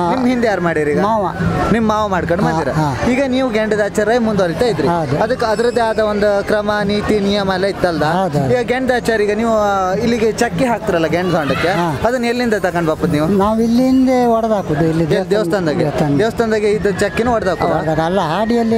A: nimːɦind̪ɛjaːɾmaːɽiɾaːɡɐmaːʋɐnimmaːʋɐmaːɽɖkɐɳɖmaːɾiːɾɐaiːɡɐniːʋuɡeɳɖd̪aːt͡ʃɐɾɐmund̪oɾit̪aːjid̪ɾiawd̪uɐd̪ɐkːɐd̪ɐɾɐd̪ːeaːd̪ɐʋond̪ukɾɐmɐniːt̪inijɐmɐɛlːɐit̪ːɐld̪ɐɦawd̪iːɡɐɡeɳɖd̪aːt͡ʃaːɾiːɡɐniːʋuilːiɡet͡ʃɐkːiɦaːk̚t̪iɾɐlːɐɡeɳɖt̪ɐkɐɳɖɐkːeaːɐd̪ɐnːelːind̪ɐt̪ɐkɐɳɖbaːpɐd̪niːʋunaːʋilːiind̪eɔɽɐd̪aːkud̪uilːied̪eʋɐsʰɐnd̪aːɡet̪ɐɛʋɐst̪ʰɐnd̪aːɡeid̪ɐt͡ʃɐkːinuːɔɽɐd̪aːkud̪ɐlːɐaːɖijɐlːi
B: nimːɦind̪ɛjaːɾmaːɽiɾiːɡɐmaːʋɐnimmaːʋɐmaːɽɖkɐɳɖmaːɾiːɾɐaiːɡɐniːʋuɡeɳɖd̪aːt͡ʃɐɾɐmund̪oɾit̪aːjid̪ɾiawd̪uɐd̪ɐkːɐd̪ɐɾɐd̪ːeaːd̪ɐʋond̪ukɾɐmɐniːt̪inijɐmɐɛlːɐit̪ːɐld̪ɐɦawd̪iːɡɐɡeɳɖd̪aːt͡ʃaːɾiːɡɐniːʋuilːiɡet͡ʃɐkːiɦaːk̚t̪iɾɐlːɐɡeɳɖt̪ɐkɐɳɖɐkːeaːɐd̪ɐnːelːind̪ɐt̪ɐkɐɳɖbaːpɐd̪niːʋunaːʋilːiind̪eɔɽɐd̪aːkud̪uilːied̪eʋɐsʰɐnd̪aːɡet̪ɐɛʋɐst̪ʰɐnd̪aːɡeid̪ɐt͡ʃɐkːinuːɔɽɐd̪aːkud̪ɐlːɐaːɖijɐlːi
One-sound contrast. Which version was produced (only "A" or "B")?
B